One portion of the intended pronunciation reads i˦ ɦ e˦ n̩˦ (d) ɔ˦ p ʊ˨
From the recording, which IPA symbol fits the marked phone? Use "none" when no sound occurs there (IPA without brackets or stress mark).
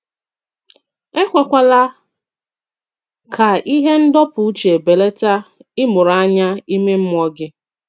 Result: d